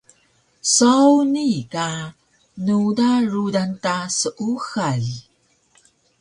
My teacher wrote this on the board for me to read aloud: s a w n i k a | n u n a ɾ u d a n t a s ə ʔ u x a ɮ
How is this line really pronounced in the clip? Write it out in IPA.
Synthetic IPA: s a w n i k a | n u d a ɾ u d a n t a s ə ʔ u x a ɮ